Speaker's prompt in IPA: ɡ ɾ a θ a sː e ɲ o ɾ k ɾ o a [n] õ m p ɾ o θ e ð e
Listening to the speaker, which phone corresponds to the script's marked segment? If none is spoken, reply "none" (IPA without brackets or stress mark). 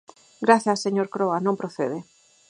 n